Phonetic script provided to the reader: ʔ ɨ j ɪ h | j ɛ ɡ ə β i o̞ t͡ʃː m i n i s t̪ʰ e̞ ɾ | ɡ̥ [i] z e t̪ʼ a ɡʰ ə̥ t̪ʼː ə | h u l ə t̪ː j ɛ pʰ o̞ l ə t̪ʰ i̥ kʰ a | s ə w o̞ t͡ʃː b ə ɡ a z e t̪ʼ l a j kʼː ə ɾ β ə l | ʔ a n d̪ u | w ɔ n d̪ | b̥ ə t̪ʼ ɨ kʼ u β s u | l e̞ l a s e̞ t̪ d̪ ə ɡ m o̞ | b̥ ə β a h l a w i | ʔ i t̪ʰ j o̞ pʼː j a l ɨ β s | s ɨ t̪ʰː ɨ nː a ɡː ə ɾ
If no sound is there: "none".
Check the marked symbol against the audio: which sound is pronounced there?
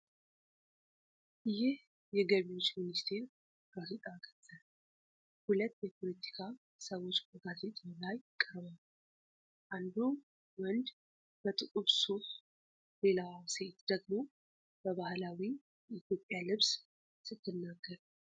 a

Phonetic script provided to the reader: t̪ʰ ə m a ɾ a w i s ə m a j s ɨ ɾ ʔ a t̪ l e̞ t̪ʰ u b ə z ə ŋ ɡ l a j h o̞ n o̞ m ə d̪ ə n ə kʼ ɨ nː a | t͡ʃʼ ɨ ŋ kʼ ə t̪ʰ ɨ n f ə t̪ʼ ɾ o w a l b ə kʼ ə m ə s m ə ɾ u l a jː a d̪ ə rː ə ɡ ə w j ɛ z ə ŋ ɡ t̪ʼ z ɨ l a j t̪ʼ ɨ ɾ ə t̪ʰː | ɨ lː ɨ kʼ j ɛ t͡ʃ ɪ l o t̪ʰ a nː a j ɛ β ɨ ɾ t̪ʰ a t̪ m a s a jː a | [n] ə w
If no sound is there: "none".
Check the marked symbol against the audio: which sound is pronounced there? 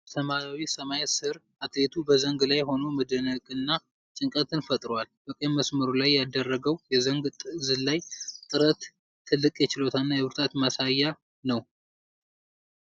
n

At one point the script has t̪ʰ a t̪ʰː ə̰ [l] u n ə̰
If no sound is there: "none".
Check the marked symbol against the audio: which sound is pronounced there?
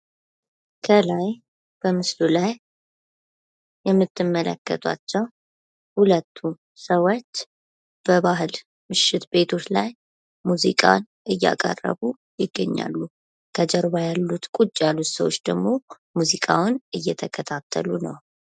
l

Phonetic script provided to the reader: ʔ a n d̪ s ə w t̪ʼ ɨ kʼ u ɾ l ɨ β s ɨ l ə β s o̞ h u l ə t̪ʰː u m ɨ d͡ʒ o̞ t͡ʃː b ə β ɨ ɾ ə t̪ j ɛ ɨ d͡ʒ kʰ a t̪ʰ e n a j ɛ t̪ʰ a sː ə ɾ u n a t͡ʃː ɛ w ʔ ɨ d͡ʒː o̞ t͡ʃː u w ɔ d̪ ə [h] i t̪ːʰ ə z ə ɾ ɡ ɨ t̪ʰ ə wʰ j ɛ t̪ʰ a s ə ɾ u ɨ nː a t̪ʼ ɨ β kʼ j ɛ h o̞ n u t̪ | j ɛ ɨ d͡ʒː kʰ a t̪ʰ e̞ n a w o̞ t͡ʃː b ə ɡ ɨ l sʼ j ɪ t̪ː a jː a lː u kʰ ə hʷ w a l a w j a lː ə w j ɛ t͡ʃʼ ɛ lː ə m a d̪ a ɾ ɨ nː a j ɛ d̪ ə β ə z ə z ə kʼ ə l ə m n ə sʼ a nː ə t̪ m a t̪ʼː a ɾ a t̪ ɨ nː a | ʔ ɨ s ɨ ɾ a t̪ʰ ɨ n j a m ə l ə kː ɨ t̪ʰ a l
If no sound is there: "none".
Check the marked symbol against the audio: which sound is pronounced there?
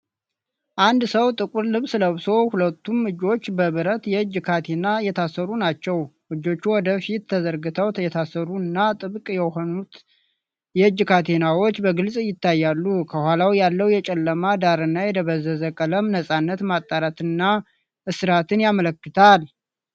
f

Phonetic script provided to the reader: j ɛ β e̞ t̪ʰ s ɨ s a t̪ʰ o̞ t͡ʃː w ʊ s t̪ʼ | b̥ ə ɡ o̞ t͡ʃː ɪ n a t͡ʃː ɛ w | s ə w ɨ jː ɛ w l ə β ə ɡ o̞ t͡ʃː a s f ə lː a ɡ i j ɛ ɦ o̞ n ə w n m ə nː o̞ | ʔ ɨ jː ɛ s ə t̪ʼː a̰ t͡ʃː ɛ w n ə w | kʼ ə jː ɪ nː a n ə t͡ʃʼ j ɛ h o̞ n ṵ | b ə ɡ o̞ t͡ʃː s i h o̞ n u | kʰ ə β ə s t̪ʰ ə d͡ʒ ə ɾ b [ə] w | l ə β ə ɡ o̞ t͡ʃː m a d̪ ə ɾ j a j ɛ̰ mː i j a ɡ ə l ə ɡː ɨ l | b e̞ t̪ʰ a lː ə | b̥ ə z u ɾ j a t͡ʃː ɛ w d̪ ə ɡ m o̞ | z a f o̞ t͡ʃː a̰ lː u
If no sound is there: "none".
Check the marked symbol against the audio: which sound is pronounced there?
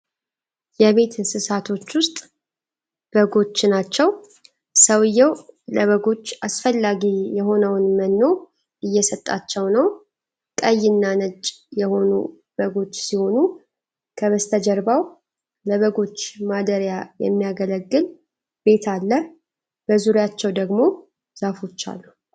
a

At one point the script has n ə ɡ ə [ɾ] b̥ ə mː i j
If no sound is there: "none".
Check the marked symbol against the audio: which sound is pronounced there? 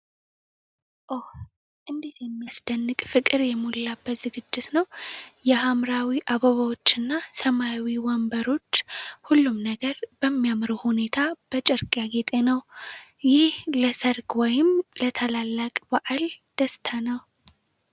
ɾ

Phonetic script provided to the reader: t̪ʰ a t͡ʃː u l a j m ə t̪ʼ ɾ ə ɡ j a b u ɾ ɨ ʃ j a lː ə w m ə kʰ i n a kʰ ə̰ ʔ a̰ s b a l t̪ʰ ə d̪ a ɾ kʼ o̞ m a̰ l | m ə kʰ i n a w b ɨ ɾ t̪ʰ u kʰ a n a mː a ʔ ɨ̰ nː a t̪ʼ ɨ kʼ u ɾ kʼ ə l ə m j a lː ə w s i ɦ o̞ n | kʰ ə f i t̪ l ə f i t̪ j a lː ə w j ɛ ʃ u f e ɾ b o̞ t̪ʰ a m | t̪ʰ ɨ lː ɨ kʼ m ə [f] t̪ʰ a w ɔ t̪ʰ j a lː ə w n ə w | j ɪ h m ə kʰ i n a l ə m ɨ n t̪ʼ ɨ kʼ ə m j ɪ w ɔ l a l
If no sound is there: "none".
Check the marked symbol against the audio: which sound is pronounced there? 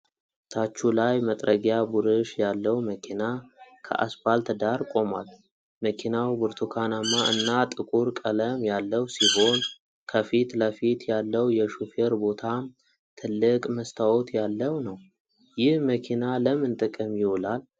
s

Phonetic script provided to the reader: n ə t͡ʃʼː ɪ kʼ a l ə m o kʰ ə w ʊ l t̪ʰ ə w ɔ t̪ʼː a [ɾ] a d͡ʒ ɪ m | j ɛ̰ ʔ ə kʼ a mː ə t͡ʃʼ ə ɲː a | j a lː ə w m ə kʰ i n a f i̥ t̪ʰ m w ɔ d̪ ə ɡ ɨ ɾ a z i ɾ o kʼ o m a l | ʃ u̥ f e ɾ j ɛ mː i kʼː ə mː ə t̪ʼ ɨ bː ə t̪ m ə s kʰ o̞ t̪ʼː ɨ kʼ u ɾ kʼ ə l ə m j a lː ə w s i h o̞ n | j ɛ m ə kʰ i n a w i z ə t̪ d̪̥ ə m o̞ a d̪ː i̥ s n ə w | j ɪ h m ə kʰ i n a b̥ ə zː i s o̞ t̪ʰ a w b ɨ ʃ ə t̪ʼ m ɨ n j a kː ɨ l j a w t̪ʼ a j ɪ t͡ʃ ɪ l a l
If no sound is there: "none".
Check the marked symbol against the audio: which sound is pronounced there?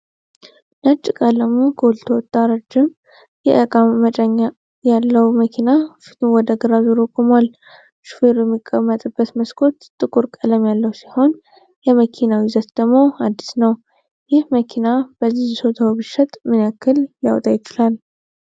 ɾ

